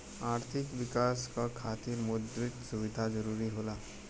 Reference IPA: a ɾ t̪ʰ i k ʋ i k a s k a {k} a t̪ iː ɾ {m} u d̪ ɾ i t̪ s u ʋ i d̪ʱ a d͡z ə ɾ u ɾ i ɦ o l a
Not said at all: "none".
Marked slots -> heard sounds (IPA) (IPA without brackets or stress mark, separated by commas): kʰ, m